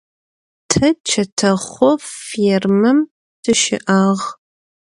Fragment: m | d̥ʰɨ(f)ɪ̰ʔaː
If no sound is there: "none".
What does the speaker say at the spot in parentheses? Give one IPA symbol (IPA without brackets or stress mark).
ʃ